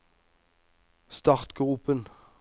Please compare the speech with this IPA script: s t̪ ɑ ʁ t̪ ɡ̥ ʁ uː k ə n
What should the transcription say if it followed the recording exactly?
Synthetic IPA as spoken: s t̪ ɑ ʁ t̪ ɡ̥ ʁ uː p ə n